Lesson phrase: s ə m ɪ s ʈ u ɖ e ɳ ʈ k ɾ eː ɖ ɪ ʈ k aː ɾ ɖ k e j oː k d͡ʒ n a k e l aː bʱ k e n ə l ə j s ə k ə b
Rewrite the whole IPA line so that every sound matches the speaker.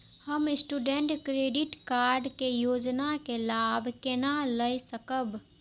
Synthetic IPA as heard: h ə m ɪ s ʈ u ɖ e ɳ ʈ k ɾ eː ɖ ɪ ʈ k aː ɾ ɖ k e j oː d͡ʒ n a k e l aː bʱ k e n a l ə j s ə k ə b